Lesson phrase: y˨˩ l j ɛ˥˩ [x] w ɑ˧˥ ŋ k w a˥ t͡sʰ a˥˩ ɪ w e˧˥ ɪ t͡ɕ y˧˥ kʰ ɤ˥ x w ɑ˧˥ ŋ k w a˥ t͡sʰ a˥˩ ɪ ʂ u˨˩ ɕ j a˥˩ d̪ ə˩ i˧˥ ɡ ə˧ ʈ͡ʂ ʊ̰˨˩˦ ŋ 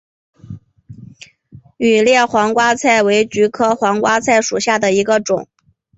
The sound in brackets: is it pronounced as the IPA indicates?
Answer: yes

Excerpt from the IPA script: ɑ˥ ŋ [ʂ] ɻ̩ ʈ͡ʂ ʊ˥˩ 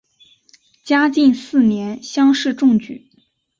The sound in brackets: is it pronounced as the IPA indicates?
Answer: yes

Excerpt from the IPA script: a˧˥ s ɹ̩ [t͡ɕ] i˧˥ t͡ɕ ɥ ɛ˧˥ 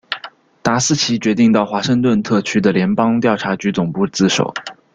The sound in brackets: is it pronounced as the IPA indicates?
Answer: no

